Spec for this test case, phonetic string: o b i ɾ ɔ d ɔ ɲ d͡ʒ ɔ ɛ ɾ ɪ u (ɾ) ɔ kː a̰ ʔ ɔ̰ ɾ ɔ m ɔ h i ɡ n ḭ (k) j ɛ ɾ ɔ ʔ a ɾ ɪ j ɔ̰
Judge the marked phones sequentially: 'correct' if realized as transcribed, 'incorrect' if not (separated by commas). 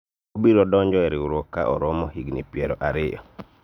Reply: correct, incorrect